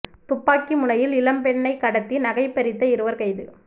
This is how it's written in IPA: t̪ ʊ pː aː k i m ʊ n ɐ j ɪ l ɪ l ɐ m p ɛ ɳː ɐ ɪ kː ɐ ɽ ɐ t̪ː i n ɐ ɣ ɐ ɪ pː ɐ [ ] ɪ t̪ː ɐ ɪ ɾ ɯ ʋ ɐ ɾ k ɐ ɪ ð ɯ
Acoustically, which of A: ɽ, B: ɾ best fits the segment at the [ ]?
B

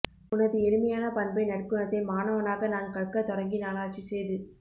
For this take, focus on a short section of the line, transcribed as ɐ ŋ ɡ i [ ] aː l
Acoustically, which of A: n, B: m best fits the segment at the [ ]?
A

